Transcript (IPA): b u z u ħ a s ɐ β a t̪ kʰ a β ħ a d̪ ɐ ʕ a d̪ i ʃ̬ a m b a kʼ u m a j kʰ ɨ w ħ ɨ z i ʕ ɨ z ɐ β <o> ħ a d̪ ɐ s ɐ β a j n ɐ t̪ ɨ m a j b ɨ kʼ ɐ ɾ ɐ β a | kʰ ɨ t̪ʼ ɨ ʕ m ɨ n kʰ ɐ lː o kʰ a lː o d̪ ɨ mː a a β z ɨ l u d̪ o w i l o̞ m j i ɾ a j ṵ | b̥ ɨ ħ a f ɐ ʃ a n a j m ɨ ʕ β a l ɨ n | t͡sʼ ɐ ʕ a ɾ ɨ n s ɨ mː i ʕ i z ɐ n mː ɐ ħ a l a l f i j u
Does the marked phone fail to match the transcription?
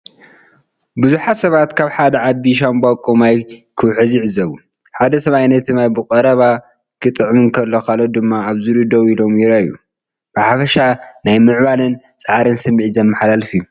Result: yes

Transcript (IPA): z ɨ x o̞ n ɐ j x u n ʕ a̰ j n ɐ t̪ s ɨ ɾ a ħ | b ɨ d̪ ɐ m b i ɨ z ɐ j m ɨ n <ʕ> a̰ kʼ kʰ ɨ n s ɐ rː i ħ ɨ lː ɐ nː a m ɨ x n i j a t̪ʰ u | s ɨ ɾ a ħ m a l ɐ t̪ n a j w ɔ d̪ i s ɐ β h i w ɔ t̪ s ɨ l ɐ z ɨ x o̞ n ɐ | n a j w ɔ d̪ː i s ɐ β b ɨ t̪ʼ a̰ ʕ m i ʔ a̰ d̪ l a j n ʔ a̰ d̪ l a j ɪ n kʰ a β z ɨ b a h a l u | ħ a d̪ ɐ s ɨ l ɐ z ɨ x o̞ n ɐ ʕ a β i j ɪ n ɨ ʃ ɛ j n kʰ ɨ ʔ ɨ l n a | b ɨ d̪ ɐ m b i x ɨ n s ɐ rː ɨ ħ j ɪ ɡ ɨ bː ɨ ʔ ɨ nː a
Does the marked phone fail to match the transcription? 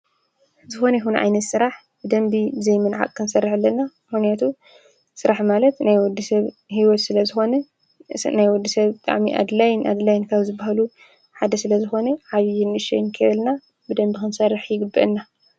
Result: no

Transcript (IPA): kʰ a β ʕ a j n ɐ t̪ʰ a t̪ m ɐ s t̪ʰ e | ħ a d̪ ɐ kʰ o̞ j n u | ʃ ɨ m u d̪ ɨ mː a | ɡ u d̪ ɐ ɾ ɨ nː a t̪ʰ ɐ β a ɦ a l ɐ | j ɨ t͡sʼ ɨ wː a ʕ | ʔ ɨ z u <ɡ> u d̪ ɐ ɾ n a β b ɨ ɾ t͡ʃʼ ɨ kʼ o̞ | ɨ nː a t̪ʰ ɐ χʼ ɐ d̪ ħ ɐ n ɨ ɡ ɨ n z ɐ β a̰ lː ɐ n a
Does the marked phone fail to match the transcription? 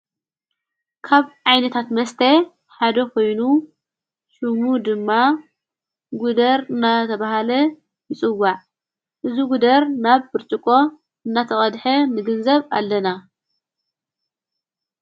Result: no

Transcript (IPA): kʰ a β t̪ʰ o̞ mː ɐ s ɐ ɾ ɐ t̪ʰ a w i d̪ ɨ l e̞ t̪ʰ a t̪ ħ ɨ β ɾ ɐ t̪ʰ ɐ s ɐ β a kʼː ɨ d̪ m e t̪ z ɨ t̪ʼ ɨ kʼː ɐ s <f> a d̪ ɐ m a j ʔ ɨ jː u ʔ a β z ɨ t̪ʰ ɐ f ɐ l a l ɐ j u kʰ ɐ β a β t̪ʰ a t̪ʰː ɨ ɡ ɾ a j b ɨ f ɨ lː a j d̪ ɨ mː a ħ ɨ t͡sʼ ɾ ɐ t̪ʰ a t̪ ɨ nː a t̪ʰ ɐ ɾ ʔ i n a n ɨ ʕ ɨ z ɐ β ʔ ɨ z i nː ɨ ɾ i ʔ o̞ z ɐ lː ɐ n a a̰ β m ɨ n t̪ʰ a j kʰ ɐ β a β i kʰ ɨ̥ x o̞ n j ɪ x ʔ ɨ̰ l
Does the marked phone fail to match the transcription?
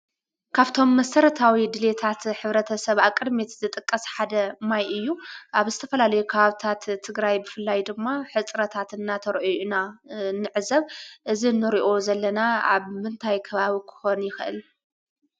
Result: yes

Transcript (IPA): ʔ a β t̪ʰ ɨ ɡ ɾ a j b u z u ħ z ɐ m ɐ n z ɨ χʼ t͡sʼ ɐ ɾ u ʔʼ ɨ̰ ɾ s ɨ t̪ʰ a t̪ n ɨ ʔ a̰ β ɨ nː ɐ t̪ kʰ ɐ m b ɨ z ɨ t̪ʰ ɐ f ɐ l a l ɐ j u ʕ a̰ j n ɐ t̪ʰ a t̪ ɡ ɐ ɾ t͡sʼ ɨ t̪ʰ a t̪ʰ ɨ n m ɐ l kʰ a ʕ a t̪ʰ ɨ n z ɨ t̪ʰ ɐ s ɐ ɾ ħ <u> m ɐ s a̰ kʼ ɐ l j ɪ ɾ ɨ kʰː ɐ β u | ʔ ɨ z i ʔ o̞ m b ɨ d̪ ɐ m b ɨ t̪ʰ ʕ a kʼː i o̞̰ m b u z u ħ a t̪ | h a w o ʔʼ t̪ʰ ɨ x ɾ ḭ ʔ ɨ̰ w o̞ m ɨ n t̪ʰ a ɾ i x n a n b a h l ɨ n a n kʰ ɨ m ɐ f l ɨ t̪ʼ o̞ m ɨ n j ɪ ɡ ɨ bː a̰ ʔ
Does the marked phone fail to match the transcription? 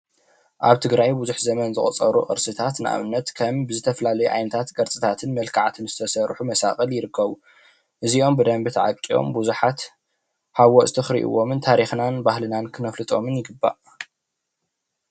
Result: no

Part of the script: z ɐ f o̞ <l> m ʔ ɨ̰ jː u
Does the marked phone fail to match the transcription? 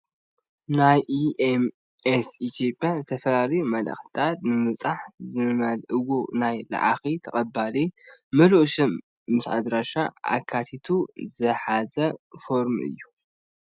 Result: yes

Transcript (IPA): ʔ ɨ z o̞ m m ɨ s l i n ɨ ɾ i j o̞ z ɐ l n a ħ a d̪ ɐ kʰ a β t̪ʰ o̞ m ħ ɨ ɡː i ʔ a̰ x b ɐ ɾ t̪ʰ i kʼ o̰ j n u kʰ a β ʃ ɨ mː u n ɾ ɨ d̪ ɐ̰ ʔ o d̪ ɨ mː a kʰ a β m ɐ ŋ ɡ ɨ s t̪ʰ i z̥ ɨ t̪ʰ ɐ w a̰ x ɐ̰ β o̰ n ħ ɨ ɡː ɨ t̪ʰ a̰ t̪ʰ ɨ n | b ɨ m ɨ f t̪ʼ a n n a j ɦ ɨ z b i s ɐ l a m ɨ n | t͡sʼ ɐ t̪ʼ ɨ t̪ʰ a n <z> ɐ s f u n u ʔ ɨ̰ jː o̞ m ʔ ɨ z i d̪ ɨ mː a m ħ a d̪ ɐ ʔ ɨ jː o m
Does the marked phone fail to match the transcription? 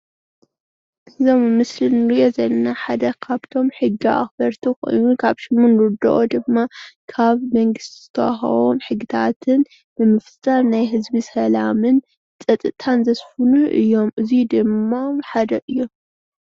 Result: no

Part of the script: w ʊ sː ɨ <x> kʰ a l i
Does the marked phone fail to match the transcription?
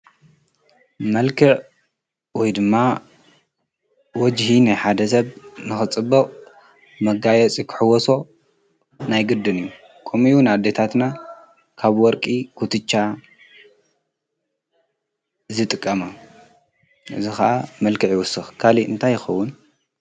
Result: no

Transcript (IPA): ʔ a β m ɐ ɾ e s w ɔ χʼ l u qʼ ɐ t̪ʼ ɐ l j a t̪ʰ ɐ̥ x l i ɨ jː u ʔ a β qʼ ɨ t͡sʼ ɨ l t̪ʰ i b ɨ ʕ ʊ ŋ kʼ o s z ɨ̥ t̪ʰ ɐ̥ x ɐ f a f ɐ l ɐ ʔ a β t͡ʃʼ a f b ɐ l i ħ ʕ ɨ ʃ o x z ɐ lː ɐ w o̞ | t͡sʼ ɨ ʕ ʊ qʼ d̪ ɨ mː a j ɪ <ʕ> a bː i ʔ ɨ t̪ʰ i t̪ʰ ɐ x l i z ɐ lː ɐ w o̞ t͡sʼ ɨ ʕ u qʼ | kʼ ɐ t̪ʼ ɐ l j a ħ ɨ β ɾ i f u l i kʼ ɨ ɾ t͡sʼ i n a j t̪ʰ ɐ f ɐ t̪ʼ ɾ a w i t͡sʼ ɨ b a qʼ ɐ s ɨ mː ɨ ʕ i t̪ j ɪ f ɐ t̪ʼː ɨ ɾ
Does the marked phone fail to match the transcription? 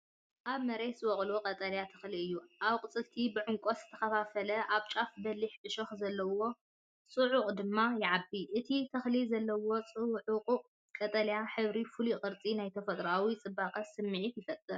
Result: no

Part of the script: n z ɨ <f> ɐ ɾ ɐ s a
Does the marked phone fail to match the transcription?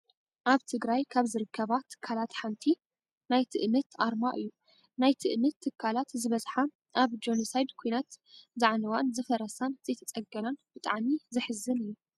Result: no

